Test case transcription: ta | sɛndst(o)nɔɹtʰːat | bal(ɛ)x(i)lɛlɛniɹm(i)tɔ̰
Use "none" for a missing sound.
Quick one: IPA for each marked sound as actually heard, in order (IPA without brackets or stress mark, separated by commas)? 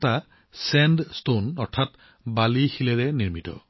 o, i, i, i